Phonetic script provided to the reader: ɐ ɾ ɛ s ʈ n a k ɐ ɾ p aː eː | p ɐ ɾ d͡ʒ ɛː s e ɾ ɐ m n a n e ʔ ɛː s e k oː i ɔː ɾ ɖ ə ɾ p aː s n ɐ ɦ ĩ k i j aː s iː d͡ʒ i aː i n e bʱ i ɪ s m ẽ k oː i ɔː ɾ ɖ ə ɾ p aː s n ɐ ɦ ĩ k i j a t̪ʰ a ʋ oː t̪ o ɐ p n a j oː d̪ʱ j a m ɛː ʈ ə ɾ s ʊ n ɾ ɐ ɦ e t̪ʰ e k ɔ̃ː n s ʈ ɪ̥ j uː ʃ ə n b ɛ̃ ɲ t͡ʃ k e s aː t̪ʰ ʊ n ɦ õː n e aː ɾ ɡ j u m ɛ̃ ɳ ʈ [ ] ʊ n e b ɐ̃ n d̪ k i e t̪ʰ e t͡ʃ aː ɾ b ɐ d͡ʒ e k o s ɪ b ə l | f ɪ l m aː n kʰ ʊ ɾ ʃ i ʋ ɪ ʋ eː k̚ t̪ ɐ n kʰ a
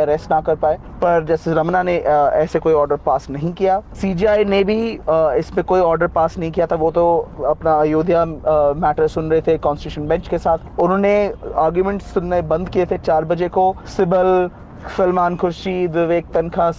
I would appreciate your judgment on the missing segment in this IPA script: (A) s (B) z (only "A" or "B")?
A